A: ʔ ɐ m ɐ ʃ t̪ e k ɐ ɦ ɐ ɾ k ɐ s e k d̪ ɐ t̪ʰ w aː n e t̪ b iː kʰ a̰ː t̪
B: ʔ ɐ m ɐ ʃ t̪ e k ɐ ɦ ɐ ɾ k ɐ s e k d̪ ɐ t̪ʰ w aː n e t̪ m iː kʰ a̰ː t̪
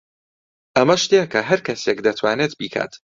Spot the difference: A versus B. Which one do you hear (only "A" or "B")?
A